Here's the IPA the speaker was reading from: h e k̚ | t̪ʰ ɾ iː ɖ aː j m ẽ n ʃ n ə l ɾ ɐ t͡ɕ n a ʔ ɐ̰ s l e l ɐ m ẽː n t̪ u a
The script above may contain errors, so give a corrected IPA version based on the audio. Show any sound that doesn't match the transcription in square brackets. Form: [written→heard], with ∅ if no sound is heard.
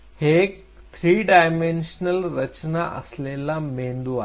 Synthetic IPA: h e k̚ | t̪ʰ ɾ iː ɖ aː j m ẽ n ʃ n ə l ɾ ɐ t͡ɕ n a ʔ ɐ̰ s l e l [ɐ→a] m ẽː n [t̪→d̪] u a